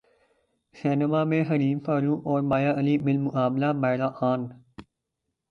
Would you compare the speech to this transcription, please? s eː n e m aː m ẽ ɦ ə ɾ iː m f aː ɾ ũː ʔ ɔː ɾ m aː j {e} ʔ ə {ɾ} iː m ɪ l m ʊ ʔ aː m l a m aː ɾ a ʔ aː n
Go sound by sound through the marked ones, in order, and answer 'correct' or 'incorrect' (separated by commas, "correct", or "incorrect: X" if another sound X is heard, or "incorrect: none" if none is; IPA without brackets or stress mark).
incorrect: a, incorrect: l